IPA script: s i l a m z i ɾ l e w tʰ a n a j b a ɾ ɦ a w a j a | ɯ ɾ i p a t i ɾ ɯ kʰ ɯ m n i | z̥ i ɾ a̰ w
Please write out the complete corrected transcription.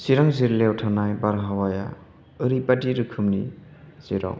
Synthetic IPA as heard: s i ɾ a ŋ z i ɾ l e w tʰ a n a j b a ɾ ɦ a w a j a | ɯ ɾ i p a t i ɾ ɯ kʰ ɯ m n i | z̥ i ɾ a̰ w